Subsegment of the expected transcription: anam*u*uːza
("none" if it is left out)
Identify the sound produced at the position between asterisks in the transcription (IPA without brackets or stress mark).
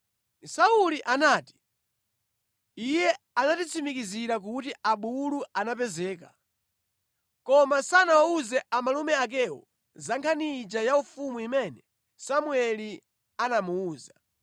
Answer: u